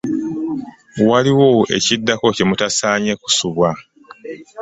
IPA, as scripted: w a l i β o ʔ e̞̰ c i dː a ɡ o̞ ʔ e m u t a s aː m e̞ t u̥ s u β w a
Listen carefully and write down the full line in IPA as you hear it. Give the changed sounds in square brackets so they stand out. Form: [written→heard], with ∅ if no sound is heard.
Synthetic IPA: w a l i [β→w] o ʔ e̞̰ c i dː a [ɡ→k] o̞ [ʔ→c] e m u t a s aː [m→ɲ] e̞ [t→k] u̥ s u β w a